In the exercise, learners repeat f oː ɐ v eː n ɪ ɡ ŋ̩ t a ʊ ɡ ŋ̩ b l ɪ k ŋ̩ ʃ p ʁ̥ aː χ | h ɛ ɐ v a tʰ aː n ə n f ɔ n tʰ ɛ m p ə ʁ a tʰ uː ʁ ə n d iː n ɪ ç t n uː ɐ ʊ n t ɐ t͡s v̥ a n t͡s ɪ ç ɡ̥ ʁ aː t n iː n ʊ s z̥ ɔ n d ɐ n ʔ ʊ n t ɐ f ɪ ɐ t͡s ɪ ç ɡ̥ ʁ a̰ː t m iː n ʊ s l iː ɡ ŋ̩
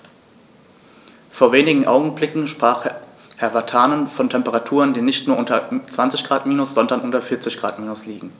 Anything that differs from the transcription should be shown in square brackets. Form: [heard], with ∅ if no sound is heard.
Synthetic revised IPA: f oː ɐ v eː n ɪ ɡ ŋ̩ [ʔ] a ʊ ɡ ŋ̩ b l ɪ k ŋ̩ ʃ p ʁ̥ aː χ | h ɛ ɐ v a tʰ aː n ə n f ɔ n tʰ ɛ m p ə ʁ a tʰ uː ʁ ə n d iː n ɪ ç t n uː ɐ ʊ n t ɐ t͡s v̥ a n t͡s ɪ ç ɡ̥ ʁ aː t [m] iː n ʊ s z̥ ɔ n d ɐ n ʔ ʊ n t ɐ f ɪ ɐ t͡s ɪ ç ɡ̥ ʁ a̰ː t m iː n ʊ s l iː ɡ ŋ̩